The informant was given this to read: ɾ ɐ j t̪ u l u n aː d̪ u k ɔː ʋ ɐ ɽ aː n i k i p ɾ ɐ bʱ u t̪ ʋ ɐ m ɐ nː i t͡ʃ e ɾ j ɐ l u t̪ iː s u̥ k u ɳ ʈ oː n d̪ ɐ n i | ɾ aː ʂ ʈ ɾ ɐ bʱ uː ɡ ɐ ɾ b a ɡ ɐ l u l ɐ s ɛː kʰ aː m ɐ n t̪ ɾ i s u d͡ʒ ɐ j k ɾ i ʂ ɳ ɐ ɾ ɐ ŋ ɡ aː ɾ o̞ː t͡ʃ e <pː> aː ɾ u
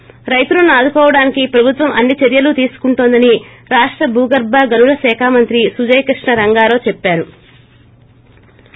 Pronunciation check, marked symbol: correct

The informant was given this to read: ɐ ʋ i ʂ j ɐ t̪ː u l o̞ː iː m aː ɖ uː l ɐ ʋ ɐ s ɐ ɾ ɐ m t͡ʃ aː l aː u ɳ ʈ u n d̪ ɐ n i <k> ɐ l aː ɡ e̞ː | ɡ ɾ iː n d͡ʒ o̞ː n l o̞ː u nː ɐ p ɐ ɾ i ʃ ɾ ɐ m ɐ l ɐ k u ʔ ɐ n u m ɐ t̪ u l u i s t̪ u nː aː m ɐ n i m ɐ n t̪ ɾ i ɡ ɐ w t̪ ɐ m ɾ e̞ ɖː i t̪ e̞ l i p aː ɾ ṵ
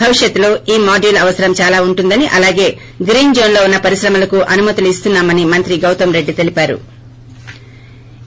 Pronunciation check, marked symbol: incorrect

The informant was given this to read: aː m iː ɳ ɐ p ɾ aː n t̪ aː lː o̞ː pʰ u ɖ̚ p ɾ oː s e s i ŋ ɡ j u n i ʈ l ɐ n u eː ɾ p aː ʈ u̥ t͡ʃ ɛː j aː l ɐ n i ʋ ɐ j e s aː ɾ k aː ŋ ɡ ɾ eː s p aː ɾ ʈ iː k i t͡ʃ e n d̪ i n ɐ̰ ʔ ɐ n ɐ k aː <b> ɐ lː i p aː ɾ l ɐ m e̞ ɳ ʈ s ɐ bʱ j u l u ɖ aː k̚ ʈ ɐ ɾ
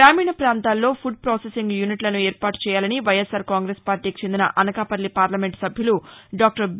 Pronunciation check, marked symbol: incorrect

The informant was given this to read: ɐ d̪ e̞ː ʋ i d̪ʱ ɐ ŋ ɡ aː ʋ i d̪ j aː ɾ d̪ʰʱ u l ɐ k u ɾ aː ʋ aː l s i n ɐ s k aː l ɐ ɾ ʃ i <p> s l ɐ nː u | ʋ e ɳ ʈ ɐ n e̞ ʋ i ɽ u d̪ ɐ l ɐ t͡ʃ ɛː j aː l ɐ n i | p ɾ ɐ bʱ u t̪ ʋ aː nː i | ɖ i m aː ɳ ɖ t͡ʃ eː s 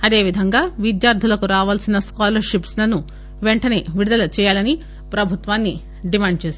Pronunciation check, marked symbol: correct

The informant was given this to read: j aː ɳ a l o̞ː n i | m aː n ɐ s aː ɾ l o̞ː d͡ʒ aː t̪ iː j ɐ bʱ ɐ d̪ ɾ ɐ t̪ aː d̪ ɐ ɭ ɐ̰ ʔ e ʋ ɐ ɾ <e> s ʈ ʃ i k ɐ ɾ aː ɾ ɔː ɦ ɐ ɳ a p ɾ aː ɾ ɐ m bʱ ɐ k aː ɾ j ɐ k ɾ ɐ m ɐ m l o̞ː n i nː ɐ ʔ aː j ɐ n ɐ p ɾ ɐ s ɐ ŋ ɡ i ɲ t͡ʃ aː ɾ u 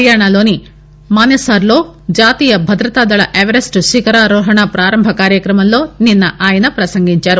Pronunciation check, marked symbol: correct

